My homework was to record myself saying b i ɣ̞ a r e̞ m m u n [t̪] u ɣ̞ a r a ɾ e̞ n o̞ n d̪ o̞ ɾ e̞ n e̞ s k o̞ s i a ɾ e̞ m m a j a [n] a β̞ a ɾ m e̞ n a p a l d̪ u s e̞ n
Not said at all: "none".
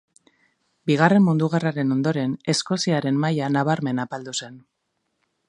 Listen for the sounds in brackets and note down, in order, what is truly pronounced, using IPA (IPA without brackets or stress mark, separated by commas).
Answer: d̪, n